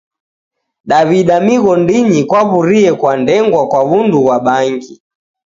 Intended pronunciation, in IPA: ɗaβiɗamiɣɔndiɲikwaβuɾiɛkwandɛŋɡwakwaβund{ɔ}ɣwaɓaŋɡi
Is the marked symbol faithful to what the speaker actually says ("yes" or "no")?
no